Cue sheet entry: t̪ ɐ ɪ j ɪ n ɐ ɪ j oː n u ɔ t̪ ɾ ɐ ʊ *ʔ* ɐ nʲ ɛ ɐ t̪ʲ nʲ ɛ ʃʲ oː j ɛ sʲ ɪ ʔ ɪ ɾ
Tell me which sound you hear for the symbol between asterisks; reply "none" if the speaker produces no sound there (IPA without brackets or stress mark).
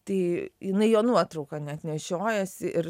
k